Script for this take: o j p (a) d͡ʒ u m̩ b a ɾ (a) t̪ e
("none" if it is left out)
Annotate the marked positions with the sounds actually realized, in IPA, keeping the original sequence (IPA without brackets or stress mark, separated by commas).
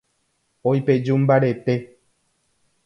e, e